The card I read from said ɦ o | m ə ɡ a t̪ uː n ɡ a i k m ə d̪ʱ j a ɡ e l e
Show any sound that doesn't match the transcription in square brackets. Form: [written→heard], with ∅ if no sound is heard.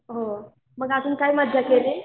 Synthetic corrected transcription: ɦ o | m ə ɡ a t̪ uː n [ɡ→k] a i [k→∅] m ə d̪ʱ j a [ɡ→k] e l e